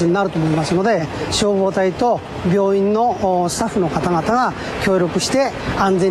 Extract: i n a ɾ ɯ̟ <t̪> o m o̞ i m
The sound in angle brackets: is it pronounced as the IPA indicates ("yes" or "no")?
yes